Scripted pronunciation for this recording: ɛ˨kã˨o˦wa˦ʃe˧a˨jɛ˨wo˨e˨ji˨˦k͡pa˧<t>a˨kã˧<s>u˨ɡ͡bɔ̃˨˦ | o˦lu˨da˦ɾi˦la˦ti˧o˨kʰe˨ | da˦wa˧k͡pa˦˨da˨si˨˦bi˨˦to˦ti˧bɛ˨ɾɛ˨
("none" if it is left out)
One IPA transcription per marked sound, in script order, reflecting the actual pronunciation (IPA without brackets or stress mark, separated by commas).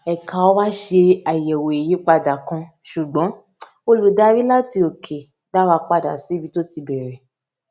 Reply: d, ʃ